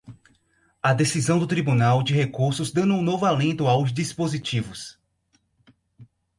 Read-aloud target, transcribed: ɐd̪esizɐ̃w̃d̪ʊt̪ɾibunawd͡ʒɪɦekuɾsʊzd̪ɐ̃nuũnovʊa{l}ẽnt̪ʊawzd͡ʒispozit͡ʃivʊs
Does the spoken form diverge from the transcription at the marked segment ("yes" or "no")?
no